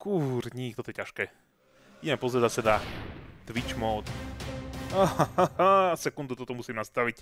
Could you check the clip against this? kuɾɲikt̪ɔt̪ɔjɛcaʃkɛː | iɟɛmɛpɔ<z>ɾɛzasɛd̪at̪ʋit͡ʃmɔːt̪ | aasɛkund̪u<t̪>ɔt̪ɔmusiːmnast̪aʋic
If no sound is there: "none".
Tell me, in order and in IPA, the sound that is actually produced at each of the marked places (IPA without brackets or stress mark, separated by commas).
z, t̪